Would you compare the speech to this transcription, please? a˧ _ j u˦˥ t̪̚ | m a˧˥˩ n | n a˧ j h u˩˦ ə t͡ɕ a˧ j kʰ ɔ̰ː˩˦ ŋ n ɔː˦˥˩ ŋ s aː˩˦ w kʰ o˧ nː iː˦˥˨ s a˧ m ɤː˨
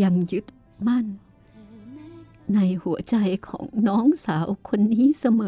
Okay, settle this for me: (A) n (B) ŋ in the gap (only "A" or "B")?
B